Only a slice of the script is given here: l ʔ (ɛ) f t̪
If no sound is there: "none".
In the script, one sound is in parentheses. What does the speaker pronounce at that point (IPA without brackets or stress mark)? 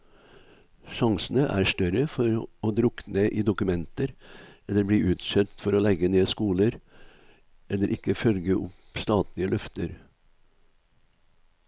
œ